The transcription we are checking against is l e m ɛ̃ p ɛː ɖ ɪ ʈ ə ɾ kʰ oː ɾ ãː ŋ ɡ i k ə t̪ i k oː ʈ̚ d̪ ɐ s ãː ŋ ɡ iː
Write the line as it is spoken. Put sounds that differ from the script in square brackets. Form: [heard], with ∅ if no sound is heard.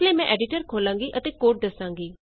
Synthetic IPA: l e m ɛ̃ [ʔ] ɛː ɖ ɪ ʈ ə ɾ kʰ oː [l] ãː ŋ ɡ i [ʔ] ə t̪ [e] k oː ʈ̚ d̪ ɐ s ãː ŋ ɡ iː